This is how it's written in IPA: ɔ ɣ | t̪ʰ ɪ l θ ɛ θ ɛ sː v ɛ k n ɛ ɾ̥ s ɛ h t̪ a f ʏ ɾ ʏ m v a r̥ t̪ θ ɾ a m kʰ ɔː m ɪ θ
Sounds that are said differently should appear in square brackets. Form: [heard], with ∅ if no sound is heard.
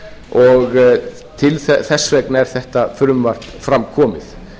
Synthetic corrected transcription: ɔ ɣ | t̪ʰ ɪ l θ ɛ θ ɛ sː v ɛ k n ɛ ɾ̥ [θ] ɛ h t̪ a f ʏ ɾ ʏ m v a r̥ t̪ [f] ɾ a m kʰ ɔː m ɪ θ